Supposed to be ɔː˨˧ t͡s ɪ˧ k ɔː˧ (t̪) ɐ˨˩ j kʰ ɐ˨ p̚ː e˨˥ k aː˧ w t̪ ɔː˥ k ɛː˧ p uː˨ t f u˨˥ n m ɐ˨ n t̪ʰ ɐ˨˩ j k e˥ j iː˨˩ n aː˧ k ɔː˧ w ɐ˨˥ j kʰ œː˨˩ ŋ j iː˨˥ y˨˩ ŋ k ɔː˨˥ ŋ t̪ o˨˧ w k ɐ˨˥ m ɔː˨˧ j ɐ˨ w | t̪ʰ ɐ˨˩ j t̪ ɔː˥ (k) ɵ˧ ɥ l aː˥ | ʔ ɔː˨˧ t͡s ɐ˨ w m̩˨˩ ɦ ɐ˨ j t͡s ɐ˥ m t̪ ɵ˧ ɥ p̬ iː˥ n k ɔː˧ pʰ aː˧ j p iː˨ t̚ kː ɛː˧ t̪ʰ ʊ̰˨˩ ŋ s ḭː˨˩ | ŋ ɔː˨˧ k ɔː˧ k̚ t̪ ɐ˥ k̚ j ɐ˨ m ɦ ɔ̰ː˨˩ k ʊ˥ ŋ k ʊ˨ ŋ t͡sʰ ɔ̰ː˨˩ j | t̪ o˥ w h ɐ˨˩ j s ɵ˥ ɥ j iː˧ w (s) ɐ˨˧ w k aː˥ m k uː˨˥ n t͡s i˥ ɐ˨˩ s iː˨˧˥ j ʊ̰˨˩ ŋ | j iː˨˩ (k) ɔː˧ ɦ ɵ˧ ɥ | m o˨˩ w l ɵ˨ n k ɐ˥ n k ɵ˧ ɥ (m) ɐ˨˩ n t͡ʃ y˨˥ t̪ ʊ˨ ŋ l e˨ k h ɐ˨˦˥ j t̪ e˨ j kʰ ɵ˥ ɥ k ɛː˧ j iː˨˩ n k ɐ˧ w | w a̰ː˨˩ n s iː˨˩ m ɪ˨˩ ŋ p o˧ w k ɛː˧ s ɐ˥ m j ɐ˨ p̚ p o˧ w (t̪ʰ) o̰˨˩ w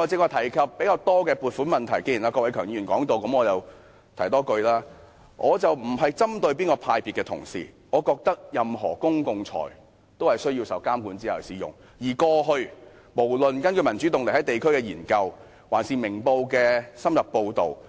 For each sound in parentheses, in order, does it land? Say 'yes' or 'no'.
no, yes, yes, yes, yes, no

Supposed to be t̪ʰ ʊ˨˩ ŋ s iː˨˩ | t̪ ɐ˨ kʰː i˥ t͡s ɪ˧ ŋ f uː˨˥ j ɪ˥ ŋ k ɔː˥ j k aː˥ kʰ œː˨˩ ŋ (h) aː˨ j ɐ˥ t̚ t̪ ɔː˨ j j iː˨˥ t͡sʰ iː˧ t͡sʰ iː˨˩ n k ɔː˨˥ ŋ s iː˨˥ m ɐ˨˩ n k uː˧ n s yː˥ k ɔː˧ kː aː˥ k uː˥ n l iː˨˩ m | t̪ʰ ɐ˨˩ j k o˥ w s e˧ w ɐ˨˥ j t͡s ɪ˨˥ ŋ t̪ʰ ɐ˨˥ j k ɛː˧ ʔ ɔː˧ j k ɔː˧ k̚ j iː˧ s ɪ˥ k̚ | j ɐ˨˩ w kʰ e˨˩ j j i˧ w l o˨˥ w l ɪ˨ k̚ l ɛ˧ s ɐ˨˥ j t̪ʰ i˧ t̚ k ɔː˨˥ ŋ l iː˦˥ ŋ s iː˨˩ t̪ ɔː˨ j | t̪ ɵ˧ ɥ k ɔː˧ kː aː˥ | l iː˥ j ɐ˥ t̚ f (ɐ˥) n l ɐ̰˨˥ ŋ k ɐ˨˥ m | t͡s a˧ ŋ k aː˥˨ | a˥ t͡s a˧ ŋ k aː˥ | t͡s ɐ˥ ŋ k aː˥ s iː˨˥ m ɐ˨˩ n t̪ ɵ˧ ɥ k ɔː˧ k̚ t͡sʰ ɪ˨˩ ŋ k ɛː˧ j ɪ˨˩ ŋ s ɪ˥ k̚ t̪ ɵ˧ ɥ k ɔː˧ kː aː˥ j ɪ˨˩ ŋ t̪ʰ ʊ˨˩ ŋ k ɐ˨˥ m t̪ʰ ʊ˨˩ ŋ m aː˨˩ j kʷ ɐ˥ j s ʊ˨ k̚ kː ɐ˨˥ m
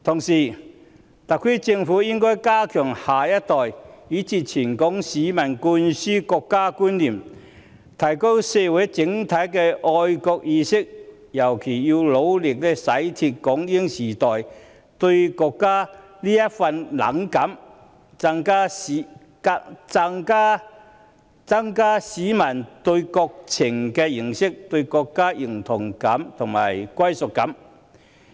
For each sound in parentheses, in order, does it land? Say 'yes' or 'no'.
yes, no

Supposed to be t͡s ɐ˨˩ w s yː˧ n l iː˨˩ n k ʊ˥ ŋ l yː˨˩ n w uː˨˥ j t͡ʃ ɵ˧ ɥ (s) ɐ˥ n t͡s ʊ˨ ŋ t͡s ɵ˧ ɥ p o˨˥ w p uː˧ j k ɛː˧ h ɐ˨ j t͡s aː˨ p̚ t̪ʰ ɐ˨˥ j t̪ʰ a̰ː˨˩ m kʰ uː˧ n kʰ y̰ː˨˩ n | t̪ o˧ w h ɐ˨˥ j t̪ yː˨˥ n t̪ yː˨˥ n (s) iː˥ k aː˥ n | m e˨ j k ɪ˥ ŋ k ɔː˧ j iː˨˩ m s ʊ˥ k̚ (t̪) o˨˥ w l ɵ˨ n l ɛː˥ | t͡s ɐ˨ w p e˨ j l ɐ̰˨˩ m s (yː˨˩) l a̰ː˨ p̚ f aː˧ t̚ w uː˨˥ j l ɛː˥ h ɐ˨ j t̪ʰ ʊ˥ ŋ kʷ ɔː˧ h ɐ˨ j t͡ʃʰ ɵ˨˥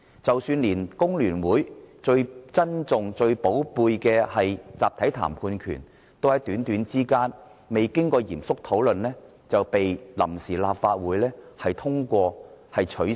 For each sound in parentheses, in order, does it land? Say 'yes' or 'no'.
no, no, no, no

